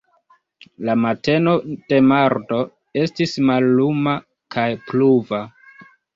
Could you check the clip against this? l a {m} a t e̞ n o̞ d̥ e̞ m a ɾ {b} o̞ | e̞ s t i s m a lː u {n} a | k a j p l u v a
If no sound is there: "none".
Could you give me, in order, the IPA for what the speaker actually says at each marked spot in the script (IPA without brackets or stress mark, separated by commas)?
m, d, m